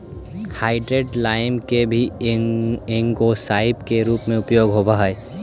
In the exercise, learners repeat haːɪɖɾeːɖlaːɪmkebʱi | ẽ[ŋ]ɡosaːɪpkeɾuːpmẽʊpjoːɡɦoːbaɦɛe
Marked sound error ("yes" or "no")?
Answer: no